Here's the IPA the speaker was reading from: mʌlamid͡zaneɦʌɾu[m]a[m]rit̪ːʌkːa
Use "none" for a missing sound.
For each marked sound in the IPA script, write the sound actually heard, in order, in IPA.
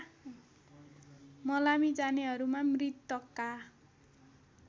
m, m

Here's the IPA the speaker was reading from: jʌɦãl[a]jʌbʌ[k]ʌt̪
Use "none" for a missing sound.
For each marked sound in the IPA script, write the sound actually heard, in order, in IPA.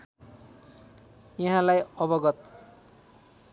a, ɡ

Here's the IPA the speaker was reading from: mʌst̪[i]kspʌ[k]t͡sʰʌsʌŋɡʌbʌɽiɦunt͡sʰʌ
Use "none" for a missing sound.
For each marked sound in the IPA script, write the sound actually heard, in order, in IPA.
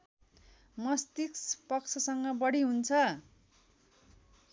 i, k

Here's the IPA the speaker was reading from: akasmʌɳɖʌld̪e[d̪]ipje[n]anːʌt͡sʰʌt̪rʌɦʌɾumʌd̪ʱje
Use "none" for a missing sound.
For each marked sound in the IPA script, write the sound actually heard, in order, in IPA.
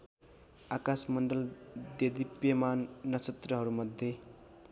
d̪, m

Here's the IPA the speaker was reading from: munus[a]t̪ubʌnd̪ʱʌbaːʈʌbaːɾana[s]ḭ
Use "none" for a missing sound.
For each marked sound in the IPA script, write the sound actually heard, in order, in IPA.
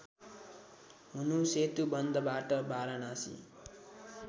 e, s

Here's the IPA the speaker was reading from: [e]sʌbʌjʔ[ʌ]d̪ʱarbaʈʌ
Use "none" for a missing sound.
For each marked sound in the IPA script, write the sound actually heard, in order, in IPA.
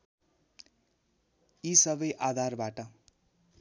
i, a

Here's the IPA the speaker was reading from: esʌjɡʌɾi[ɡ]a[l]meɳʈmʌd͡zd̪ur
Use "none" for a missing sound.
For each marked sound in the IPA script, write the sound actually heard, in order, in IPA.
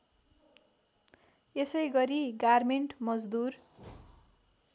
ɡ, r

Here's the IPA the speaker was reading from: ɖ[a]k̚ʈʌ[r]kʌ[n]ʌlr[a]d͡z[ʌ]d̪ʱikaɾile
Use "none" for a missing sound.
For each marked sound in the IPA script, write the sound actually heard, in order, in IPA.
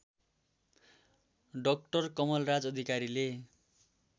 ʌ, r, m, a, ʌ

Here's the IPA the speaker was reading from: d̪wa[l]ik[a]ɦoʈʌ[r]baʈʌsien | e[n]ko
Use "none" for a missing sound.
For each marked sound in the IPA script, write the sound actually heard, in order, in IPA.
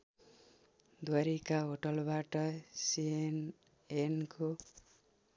ɾ, a, l, n

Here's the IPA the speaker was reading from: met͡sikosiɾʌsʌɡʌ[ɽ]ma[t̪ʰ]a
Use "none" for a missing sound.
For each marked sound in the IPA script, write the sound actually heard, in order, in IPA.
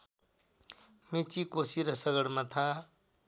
ɽ, t̪ʰ

